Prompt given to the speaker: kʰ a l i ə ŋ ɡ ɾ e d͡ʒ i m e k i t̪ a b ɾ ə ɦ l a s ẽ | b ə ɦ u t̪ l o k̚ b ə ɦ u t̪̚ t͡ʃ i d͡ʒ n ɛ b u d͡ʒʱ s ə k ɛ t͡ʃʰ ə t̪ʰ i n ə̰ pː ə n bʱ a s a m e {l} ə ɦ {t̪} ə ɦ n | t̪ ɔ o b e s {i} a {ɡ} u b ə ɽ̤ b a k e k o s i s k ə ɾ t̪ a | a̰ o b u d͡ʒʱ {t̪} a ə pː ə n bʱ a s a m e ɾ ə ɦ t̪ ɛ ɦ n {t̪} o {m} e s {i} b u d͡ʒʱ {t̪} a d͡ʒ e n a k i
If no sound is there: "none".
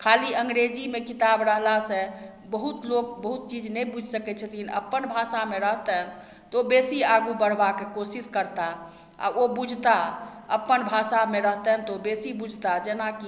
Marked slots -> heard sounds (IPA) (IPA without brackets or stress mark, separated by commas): ɾ, t̪, i, ɡ, t̪, t̪, b, i, t̪